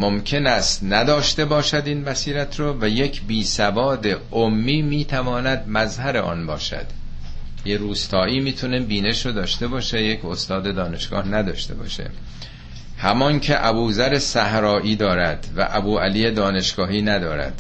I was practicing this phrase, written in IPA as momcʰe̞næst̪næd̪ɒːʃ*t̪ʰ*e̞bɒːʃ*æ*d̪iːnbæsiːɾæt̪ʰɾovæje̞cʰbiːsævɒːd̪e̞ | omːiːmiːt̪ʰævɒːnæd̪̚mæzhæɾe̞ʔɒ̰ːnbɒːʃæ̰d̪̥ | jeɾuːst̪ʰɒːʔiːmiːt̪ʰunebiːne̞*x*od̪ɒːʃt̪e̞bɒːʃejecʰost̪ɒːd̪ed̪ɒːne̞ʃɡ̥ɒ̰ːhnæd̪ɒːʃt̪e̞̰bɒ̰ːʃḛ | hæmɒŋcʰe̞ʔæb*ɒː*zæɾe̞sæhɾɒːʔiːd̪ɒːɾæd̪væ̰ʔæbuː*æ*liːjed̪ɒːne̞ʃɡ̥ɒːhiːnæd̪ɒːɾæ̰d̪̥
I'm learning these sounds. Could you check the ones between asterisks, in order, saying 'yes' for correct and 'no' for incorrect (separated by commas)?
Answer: no, yes, no, no, yes